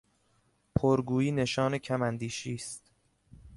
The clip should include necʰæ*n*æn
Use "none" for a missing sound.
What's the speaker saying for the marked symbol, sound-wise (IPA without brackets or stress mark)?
m